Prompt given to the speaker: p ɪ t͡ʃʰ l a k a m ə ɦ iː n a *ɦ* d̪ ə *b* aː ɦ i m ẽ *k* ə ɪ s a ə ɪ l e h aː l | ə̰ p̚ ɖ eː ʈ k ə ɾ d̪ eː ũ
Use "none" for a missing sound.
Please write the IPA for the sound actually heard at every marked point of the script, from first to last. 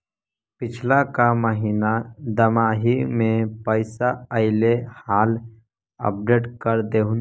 none, m, p

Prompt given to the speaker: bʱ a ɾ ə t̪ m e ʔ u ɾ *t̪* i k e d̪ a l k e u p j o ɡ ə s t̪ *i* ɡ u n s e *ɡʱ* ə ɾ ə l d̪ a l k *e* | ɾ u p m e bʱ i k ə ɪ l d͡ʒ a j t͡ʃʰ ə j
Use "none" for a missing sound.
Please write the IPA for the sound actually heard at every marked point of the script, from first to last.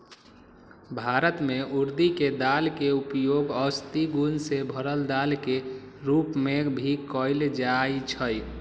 d̪, i, bʱ, e

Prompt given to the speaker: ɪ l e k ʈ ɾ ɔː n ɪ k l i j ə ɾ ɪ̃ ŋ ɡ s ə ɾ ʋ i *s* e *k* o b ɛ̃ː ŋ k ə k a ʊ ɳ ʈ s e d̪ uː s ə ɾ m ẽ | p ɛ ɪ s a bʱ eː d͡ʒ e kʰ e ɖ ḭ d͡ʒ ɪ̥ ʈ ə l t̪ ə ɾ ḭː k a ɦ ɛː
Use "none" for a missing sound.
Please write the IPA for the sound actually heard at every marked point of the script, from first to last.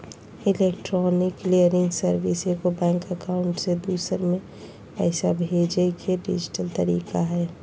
s, k

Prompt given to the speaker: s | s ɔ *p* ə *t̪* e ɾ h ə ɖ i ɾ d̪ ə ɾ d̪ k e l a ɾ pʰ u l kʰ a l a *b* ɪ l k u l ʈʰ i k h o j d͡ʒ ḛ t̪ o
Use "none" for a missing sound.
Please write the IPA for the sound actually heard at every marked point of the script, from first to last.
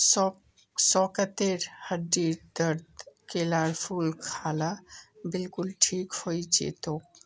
k, t̪, b

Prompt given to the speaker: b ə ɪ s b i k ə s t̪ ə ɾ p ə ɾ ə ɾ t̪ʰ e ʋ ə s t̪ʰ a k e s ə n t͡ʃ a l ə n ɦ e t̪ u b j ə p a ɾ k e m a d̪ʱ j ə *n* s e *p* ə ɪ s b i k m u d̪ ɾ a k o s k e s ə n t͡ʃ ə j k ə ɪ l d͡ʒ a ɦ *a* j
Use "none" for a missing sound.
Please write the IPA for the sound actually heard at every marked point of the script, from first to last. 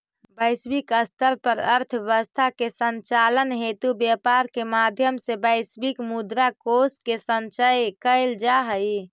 m, b, ə

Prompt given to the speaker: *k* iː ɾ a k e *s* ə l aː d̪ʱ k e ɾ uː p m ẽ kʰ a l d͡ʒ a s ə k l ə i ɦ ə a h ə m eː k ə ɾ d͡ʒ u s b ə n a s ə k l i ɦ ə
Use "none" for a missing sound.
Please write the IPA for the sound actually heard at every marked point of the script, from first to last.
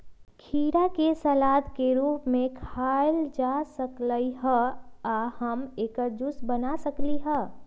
kʰ, s

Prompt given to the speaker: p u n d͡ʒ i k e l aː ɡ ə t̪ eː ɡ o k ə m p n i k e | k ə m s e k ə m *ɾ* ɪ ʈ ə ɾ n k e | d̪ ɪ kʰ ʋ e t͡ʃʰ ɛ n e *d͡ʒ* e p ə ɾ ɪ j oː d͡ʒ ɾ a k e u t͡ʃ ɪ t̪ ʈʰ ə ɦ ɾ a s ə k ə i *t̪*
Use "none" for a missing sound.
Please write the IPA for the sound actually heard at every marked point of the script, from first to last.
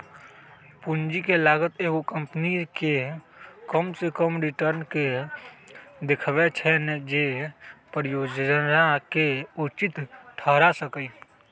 ɾ, d͡ʒ, none

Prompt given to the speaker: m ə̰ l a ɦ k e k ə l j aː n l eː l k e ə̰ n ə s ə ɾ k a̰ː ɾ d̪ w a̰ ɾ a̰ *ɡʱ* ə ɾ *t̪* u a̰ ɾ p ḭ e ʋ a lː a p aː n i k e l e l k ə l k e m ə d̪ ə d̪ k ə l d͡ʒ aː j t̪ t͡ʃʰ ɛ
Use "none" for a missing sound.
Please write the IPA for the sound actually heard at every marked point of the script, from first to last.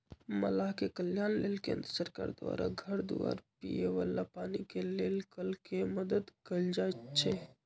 ɡʱ, d̪

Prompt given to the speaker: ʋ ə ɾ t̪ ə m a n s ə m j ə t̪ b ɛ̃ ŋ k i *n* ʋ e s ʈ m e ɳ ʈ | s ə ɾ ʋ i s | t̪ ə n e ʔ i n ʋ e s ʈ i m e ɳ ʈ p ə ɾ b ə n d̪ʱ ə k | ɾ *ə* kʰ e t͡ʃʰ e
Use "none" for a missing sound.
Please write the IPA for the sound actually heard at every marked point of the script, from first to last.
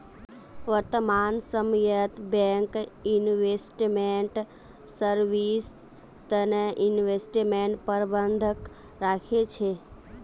n, a

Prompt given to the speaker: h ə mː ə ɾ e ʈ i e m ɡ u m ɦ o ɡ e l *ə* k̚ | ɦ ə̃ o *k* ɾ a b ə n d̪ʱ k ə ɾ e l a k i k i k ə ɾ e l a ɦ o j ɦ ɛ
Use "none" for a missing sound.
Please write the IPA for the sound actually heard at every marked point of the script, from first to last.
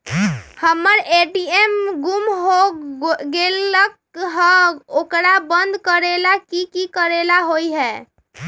ə, k

